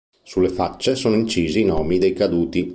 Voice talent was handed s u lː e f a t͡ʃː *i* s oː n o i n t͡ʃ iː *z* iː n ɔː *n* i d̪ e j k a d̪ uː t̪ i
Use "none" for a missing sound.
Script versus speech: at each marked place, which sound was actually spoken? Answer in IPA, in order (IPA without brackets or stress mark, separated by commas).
e, z, m